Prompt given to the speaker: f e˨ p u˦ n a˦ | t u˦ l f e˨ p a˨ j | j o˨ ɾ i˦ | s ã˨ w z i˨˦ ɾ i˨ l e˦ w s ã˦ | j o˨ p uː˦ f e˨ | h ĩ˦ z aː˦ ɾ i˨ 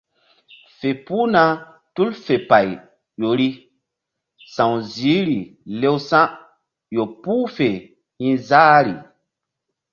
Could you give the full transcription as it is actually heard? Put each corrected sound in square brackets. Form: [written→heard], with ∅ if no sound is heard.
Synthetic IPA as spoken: f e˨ p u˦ n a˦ | t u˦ l f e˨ p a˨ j | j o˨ ɾ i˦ | s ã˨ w z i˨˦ ɾ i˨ l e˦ w s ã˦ | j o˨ p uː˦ f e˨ | h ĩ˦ z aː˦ ɾ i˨